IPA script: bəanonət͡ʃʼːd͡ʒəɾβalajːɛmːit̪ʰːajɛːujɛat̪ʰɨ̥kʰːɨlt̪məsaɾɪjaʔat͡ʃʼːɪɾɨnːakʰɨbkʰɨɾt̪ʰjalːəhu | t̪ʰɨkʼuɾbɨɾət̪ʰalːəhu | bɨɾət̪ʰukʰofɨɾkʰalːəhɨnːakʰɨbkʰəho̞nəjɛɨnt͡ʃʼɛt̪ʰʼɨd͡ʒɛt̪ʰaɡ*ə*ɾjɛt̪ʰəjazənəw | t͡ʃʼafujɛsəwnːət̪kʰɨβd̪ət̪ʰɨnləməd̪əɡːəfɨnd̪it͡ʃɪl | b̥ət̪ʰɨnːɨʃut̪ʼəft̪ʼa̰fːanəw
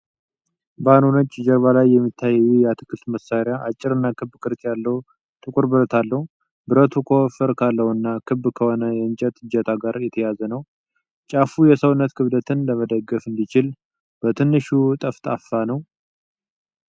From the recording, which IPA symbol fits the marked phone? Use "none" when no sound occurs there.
a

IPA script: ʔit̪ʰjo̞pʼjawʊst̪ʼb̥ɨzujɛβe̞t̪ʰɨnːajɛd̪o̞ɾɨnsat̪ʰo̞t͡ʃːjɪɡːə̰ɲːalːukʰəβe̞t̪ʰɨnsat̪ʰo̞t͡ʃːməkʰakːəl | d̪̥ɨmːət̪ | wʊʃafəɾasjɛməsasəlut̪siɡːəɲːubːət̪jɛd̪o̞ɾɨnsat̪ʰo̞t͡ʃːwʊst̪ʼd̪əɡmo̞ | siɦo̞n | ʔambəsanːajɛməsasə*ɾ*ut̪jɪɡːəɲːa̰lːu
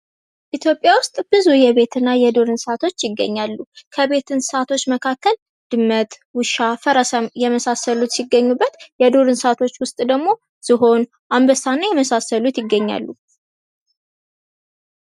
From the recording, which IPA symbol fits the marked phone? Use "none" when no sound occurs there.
l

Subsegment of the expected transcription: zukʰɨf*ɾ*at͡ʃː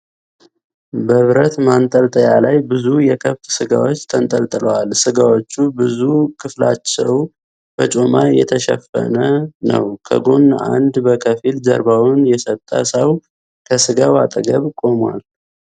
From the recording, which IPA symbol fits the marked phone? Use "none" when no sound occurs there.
l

